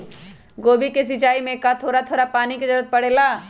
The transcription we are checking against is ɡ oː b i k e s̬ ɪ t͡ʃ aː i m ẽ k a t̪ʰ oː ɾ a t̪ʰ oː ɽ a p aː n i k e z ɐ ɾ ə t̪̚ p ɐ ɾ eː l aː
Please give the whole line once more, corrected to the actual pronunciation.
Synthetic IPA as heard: ɡ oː b i k e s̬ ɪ t͡ʃ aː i m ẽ k a t̪ʰ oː ɾ a t̪ʰ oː ɾ a p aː n i k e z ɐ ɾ ə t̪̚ p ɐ ɽ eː l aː

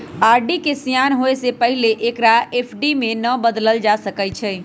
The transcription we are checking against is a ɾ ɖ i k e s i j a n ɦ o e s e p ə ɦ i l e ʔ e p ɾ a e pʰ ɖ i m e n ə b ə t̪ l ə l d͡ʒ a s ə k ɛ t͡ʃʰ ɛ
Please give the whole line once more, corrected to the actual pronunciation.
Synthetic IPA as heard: a ɾ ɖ i k e s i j a n ɦ o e s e p ə ɦ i l e ʔ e k ɾ a e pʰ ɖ i m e n ə b ə d̪ l ə l d͡ʒ a s ə k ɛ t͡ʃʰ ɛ

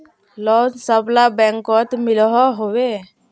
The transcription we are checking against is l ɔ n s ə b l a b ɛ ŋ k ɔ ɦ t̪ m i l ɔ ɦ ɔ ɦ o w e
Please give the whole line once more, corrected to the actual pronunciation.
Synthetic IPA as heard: l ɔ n s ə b l a b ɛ ŋ k ɔ t̪ m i l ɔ ɦ ɔ ɦ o w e

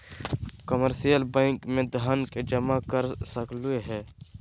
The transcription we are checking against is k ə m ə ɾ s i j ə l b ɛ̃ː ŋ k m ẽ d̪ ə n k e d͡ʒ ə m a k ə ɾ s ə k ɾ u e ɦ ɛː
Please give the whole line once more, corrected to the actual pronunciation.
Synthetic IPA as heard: k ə m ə ɾ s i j ə l b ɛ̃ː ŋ k m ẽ d̪ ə n k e d͡ʒ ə m a k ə ɾ s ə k l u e ɦ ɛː

